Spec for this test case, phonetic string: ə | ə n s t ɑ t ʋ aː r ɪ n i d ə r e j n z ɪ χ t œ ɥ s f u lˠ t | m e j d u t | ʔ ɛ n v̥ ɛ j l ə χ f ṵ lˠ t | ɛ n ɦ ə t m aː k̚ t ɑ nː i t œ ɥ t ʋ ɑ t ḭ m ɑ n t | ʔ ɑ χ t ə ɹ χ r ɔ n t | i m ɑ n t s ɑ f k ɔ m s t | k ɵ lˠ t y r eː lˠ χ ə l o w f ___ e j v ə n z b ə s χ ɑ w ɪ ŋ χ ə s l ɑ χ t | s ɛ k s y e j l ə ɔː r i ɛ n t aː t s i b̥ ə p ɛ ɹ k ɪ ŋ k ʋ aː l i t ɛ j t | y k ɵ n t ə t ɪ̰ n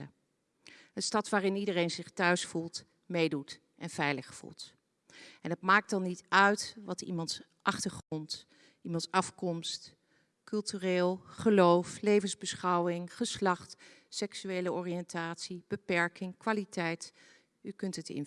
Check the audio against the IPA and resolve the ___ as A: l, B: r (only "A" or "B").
A